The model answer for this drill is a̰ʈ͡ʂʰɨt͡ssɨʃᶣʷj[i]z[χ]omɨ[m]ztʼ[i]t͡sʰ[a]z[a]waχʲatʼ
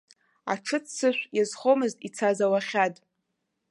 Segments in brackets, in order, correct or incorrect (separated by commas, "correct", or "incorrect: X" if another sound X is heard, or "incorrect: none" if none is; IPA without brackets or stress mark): incorrect: a, correct, incorrect: none, correct, correct, correct